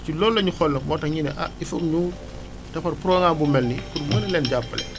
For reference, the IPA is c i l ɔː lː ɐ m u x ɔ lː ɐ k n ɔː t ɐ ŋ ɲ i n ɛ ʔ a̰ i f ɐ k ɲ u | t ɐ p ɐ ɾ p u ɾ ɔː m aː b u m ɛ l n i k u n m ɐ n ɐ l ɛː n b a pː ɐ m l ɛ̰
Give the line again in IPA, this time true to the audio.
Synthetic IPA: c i l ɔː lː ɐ ɲ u x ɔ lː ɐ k m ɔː t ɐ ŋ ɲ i n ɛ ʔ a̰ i f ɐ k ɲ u | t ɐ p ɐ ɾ p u ɾ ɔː ŋ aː b u m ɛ l n i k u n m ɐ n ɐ l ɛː n ɟ a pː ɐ l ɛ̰